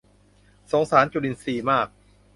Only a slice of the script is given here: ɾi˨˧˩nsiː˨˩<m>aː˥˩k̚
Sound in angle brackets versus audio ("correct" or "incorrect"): correct